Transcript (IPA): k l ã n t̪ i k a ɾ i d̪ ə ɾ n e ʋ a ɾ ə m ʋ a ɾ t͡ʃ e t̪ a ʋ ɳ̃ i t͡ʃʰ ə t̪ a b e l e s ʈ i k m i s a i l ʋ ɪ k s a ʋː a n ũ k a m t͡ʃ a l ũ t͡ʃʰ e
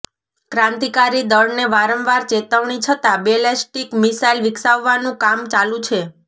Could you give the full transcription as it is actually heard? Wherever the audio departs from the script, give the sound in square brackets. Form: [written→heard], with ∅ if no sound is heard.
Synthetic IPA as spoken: k [l→ɾ] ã n t̪ i k a ɾ i d̪ ə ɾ n e ʋ a ɾ ə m ʋ a ɾ t͡ʃ e t̪ [a→ə] ʋ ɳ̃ i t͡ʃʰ ə t̪ a b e l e s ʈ i k m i s a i l ʋ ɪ k s a ʋː a n ũ k a m t͡ʃ a l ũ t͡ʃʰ e